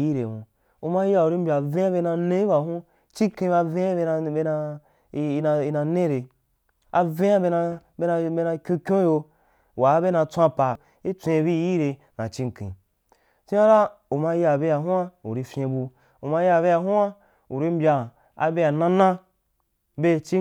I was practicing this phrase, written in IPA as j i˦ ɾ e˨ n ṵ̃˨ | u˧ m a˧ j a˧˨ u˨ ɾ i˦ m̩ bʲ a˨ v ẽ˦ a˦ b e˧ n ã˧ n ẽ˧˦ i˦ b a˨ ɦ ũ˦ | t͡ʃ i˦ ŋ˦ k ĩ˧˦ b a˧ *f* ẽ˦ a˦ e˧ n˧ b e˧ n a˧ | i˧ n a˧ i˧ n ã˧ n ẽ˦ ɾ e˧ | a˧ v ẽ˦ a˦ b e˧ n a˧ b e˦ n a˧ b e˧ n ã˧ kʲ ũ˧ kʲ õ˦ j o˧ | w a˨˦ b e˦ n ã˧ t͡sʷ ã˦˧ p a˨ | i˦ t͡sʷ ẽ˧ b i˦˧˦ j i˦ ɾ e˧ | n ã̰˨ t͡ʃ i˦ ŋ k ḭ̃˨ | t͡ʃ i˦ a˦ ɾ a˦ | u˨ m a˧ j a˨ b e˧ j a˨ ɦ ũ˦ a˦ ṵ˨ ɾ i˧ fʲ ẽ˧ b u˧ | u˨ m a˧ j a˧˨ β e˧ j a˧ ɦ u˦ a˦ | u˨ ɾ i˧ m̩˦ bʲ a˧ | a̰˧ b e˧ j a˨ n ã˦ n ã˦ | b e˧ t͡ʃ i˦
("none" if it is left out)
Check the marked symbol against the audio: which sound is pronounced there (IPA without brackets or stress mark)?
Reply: v